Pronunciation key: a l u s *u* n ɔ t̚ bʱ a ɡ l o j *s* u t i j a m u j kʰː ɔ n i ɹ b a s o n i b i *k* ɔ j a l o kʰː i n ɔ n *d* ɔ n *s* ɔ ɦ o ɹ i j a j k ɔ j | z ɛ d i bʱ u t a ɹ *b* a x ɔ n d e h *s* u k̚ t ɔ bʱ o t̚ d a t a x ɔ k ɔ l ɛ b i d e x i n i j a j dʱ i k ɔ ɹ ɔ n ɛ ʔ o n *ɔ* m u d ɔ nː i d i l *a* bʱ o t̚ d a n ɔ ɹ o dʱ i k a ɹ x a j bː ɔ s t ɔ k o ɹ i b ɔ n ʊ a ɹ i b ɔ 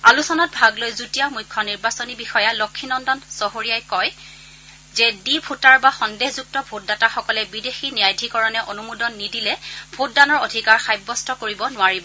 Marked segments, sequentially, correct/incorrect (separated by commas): incorrect, incorrect, incorrect, correct, correct, correct, incorrect, incorrect, incorrect